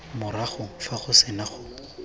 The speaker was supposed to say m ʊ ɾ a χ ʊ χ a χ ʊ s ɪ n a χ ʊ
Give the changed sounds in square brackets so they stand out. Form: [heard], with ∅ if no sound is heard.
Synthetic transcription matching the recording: m ʊ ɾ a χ ʊ [f] a χ ʊ s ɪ n a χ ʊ